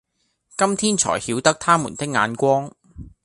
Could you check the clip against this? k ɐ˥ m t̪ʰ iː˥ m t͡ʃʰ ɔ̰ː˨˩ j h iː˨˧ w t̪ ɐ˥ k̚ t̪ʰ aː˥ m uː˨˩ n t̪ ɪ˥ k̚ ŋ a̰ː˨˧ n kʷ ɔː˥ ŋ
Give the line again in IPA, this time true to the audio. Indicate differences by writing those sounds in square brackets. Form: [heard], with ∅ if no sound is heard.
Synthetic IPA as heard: k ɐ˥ m t̪ʰ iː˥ [n] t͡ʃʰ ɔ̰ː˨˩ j h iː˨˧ w t̪ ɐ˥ k̚ t̪ʰ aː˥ m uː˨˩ n t̪ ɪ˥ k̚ ŋ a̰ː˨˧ n kʷ ɔː˥ ŋ